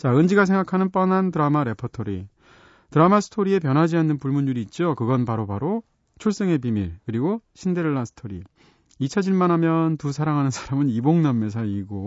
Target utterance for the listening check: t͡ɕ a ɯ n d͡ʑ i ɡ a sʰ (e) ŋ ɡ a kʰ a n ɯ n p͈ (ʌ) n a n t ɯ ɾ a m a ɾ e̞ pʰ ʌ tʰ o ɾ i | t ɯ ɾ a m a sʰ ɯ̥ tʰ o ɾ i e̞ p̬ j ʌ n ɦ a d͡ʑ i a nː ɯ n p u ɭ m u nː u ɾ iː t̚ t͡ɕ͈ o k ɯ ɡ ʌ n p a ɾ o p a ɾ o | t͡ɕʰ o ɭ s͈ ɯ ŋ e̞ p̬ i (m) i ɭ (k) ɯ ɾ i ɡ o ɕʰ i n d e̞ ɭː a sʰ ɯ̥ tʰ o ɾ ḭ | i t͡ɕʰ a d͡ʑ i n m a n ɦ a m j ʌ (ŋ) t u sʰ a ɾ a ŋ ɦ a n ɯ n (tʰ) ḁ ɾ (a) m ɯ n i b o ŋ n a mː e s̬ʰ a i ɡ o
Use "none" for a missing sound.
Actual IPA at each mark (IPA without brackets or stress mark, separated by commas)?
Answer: e, ʌ, m, k, n, sʰ, a